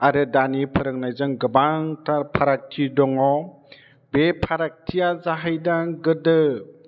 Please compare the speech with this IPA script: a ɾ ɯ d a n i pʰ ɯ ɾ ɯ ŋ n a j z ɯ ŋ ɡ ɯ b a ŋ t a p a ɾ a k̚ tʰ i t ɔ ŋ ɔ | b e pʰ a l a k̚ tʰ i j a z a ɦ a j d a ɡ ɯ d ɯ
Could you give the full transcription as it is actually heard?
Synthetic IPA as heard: a ɾ ɯ d a n i pʰ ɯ ɾ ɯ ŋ n a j z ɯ ŋ ɡ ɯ b a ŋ t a pʰ a ɾ a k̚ tʰ i d ɔ ŋ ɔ | b e pʰ a ɾ a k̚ tʰ i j a z a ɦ a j d a ɡ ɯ d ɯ